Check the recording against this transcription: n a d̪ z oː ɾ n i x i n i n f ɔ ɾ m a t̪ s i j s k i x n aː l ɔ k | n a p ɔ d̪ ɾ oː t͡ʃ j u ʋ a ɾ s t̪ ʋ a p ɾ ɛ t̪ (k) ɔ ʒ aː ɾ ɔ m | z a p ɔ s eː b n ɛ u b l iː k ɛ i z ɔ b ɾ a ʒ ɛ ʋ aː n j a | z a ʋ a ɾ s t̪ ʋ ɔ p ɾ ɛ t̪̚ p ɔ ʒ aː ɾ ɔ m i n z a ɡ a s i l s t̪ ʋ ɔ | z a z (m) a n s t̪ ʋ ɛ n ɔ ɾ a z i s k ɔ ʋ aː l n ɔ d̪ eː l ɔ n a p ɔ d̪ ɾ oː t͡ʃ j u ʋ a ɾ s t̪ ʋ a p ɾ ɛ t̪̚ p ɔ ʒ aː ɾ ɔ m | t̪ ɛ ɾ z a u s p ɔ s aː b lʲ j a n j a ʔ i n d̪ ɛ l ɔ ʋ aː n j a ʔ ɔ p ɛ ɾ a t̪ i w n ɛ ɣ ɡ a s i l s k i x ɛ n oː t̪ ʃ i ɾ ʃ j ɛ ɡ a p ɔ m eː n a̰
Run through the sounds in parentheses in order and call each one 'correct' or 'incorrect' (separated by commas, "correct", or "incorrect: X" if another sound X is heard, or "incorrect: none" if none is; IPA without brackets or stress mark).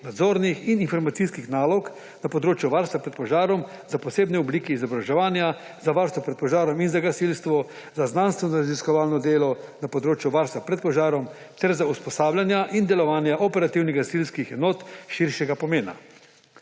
incorrect: p, incorrect: n